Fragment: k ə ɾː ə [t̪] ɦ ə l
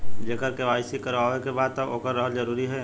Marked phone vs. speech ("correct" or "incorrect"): incorrect